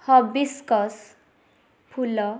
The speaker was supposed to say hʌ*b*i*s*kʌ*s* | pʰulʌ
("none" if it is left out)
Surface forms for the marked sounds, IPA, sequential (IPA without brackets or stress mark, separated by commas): b, s, s